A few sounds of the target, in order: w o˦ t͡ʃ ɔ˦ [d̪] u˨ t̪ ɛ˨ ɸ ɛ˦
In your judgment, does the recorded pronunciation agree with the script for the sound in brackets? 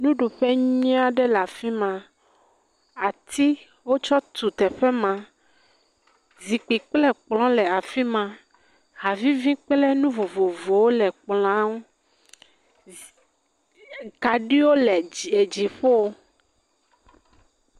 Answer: no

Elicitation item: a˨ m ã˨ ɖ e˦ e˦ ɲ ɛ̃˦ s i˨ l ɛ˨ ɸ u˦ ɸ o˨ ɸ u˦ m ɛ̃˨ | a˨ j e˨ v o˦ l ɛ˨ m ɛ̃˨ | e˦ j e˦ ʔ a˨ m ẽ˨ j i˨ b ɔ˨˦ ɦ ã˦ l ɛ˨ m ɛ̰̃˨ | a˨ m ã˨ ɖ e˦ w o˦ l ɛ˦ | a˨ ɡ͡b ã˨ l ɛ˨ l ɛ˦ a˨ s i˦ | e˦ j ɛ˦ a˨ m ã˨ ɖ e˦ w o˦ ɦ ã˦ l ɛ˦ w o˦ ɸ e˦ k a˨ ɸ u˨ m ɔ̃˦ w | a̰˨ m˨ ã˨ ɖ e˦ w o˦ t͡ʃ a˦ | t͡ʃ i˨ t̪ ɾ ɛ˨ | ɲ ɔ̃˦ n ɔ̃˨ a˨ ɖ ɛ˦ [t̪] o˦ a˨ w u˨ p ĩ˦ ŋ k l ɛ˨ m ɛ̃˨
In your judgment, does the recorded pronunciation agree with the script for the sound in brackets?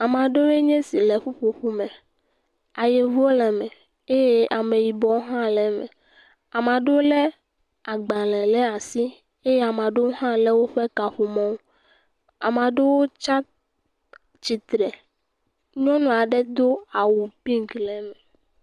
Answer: no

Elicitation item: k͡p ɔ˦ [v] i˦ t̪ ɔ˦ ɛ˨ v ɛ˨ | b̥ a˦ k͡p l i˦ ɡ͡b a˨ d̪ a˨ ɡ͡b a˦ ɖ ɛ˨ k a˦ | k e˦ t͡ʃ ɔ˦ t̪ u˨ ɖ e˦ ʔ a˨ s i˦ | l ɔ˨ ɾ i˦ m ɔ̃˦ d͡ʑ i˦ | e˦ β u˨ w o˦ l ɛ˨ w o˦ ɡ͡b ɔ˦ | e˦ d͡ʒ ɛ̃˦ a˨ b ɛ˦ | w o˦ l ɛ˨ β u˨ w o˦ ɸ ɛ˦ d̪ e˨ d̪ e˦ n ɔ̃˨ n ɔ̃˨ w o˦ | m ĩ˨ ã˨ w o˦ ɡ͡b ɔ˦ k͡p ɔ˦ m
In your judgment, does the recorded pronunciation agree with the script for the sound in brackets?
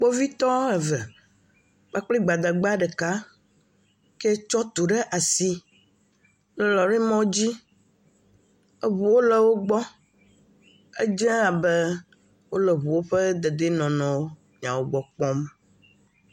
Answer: yes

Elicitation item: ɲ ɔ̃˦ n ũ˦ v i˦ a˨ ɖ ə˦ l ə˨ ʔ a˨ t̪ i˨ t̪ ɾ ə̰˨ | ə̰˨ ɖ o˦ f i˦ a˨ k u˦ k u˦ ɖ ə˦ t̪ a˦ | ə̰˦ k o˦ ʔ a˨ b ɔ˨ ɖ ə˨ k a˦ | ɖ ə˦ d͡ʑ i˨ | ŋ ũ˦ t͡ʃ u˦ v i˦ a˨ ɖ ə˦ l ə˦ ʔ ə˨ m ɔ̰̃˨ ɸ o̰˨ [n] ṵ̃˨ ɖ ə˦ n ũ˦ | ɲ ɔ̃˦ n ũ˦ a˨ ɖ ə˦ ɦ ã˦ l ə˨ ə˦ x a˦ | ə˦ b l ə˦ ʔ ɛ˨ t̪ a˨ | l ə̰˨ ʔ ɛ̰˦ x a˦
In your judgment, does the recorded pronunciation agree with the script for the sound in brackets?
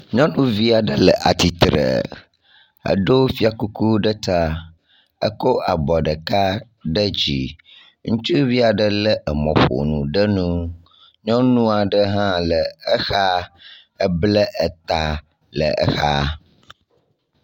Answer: yes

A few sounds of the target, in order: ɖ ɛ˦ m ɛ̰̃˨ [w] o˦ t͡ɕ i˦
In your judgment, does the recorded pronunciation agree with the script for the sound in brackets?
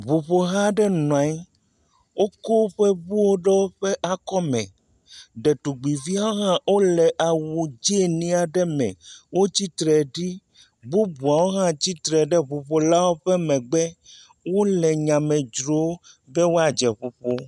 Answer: yes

